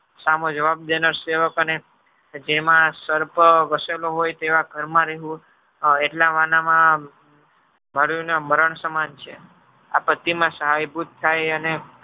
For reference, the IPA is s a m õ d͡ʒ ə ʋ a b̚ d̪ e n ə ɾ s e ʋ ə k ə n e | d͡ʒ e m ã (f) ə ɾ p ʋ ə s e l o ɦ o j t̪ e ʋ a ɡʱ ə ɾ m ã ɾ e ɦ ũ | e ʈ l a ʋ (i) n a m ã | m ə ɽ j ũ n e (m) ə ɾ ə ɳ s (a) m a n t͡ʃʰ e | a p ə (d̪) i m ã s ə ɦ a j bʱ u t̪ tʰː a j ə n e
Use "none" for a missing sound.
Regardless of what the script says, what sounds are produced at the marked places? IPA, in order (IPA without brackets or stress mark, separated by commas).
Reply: s, a, m, ə, t̪